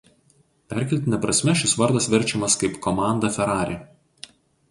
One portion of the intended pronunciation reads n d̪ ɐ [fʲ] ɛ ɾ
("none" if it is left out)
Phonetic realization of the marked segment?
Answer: fʲ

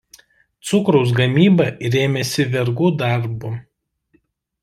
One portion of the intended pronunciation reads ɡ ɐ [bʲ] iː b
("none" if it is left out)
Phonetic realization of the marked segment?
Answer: mʲ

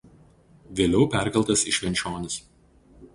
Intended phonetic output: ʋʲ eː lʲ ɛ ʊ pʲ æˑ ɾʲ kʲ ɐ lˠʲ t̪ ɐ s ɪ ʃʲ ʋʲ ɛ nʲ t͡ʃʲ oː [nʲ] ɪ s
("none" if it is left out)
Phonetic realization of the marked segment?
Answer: nʲ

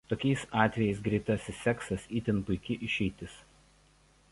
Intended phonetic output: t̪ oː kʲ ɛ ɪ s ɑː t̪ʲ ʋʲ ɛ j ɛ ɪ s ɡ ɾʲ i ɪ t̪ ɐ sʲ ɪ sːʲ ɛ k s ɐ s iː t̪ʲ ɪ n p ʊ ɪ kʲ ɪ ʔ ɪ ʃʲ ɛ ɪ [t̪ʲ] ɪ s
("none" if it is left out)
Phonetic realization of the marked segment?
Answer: t̪ʲ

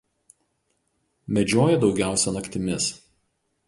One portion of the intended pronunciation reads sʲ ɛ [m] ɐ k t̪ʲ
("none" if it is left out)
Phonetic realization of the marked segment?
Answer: n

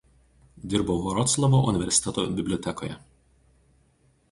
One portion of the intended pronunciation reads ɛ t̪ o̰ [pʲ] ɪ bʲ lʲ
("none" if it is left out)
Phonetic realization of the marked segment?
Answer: bʲ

